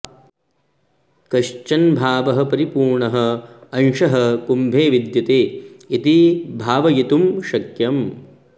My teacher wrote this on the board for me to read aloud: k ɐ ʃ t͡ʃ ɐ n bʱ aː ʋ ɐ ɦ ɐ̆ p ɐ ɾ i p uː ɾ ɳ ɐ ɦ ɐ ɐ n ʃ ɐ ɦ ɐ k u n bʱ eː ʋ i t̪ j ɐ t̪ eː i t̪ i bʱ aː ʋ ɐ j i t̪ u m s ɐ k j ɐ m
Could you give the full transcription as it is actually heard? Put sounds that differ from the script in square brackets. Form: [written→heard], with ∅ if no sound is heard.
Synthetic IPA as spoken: k ɐ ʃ t͡ʃ ɐ n bʱ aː ʋ ɐ ɦ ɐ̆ p ɐ ɾ i p uː ɾ ɳ ɐ ɦ ɐ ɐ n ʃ ɐ ɦ ɐ k u [n→m] bʱ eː ʋ i [t̪→d̪] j ɐ t̪ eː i t̪ i bʱ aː ʋ ɐ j i t̪ u m [s→ʃ] ɐ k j ɐ m